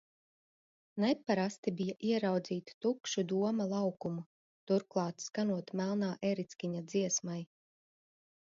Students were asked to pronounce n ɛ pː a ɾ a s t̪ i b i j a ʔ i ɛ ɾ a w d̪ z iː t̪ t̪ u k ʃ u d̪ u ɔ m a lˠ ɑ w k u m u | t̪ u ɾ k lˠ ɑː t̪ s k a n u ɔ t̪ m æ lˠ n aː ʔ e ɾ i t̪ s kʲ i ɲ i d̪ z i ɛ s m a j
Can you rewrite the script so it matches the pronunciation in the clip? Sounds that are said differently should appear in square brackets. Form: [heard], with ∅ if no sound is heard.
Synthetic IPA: n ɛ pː a ɾ a s t̪ i b i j a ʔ i ɛ ɾ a w d̪ z iː t̪ t̪ u k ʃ u d̪ u ɔ m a lˠ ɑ w k u m u | t̪ u ɾ k lˠ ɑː t̪ s k a n u ɔ t̪ m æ lˠ n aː ʔ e ɾ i t̪ s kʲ i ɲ [a] d̪ z i ɛ s m a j